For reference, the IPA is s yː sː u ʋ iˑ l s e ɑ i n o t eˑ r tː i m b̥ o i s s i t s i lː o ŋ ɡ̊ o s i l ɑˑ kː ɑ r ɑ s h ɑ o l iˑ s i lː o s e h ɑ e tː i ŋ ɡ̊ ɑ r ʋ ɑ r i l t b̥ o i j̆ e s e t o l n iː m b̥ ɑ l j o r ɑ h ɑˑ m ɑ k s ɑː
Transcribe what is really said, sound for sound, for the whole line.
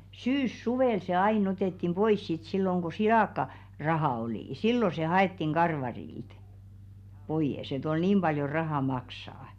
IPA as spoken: s yː sː u ʋ eˑ l s e ɑ i n o t eˑ tː i m b̥ o i s s i t s i lː o ŋ ɡ̊ o s i l ɑˑ kː ɑ r ɑ h ɑ o l iˑ s i lː o s e h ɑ e tː i ŋ ɡ̊ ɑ r ʋ ɑ r i l t b̥ o i j̆ e s e t o l n iː m b̥ ɑ l j o r ɑ h ɑˑ m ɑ k s ɑː